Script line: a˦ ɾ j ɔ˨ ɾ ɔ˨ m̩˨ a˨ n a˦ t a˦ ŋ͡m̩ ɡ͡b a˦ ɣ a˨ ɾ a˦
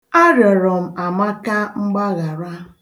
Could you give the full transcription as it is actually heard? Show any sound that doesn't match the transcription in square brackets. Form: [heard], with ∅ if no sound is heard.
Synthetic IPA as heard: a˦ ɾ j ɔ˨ ɾ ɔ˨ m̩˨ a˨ [m] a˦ [k] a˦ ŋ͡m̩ ɡ͡b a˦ ɣ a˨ ɾ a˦